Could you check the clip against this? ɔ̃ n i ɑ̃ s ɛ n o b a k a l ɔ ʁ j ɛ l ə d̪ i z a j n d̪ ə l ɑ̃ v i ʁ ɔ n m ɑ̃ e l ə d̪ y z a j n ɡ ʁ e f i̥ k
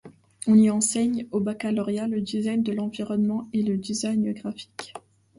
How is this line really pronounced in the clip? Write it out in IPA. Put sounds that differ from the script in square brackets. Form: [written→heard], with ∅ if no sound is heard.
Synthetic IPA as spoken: ɔ̃ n i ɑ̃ s ɛ [n→ɲ] o b a k a l ɔ ʁ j [ɛ→a] l ə d̪ i z a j n d̪ ə l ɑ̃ v i ʁ ɔ n m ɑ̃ e l ə d̪ [y→i] z a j n ɡ ʁ [e→a] f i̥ k